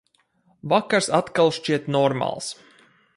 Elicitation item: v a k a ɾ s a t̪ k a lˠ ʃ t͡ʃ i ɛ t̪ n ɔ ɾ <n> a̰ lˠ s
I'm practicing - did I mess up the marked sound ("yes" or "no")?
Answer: yes